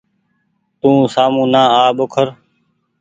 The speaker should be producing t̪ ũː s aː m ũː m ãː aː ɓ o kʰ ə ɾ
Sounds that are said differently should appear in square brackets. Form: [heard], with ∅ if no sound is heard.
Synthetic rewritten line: t̪ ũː s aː m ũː [n] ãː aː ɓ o kʰ ə ɾ